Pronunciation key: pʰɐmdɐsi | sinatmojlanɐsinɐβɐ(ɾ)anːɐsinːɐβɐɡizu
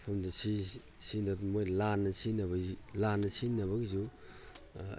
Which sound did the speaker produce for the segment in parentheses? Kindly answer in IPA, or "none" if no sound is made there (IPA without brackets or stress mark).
l